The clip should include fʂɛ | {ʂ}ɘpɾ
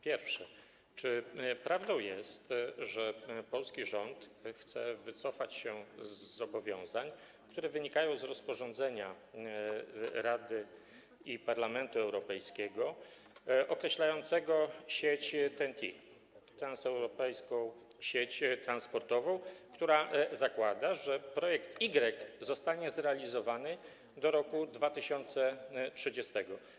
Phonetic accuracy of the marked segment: incorrect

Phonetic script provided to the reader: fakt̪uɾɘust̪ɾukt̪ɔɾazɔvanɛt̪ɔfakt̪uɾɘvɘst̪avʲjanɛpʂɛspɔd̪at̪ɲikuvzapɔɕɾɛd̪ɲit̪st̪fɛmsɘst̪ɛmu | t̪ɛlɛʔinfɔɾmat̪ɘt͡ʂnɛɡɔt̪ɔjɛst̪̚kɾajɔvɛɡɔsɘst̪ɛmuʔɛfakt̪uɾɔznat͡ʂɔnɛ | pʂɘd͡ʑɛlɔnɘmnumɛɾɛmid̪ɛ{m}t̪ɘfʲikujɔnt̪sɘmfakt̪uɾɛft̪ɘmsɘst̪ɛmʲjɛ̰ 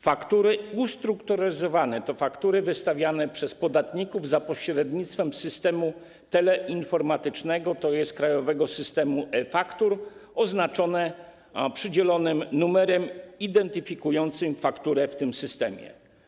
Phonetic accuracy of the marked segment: incorrect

